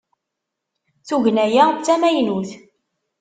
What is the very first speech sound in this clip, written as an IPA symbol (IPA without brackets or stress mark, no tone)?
θ